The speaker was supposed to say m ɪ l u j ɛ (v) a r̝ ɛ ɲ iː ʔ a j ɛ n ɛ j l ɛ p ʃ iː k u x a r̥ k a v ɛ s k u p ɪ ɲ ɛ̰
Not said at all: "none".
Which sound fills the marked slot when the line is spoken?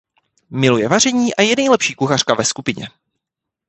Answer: v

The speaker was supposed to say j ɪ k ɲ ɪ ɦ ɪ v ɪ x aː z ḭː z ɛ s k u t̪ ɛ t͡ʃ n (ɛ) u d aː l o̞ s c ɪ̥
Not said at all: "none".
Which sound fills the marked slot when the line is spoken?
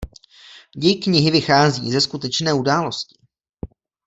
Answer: ɛː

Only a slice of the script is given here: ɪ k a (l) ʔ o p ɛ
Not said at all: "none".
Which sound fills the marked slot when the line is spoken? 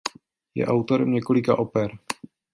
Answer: none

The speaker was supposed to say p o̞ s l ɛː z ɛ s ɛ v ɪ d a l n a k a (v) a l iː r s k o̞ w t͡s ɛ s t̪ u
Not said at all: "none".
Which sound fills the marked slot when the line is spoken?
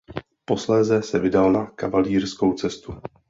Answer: v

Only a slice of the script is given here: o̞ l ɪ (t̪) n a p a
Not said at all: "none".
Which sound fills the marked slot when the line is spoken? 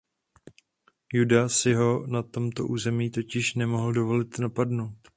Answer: t̪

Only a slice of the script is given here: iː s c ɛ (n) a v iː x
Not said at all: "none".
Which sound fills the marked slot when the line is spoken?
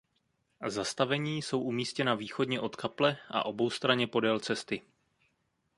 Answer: n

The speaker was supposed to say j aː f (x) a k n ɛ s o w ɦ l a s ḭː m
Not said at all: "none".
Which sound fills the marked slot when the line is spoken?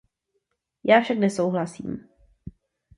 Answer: ʃ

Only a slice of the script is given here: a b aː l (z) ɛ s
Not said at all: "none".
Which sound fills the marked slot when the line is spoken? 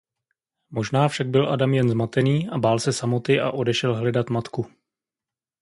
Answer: s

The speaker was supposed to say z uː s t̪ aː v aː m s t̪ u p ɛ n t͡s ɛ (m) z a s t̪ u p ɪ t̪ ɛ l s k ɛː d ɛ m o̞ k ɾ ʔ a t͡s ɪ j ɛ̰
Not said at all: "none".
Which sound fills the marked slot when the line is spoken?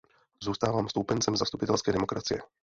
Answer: m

